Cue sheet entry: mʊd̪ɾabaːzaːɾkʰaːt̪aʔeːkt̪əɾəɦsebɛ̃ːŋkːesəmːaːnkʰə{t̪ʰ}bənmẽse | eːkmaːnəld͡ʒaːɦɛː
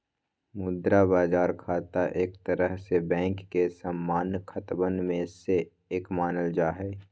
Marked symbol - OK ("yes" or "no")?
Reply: no